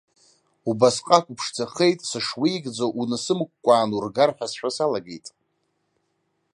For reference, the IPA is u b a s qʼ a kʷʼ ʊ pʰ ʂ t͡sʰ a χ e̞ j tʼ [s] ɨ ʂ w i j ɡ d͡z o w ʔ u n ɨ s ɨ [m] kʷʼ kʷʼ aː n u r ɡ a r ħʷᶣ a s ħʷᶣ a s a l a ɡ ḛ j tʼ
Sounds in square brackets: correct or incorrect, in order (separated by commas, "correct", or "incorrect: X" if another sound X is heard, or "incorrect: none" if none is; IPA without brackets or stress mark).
correct, correct